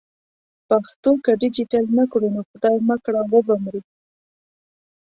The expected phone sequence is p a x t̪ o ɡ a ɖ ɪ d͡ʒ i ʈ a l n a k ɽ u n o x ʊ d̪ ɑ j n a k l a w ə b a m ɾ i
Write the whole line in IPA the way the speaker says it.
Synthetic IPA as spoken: p a x t̪ o k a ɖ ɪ d͡ʒ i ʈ a l n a k ɽ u n o x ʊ d̪ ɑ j m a k ɽ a w ə b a m ɾ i